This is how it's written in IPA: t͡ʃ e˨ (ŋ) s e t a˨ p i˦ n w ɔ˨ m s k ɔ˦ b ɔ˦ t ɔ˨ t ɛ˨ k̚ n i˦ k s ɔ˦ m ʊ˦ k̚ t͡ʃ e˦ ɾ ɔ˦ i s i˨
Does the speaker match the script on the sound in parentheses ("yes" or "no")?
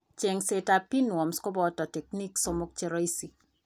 yes